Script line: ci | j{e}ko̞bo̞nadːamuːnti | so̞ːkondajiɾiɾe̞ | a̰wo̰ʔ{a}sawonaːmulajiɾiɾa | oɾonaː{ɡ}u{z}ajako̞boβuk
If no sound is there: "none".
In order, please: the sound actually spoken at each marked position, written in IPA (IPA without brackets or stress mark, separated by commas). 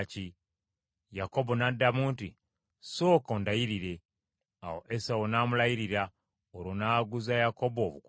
a, e, ɡ, z